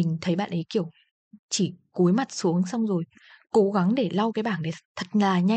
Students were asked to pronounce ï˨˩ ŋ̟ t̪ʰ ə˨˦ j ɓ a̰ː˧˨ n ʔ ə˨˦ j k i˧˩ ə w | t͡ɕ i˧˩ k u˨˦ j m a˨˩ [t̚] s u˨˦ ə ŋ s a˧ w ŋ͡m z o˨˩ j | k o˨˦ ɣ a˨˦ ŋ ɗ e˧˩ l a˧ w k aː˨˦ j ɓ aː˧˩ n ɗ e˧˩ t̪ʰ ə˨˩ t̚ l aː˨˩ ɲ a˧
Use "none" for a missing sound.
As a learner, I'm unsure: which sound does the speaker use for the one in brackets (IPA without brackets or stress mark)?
t̚